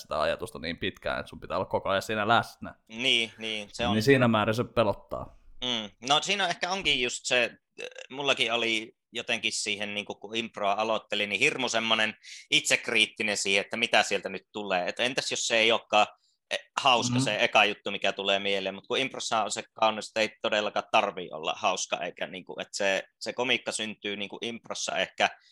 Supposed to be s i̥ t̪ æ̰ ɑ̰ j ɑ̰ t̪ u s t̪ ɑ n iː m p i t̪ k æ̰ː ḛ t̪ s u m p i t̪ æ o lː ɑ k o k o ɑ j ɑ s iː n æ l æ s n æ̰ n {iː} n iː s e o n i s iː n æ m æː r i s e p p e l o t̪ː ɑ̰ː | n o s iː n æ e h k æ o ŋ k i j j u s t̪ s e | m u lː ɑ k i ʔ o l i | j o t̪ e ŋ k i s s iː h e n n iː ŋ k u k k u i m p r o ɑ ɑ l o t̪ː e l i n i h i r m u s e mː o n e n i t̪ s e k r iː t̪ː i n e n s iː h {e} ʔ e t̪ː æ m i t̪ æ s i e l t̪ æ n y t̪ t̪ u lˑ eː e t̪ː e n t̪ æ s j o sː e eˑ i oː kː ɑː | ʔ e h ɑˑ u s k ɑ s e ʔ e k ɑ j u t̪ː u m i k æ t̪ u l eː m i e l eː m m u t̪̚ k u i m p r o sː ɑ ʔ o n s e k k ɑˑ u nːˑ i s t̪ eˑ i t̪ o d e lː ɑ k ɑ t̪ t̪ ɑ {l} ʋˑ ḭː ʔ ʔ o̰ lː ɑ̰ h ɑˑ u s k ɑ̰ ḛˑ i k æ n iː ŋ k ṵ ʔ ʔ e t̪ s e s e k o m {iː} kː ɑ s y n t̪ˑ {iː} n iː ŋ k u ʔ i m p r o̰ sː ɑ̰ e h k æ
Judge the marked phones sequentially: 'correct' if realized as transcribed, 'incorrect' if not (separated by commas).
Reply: correct, correct, incorrect, incorrect, incorrect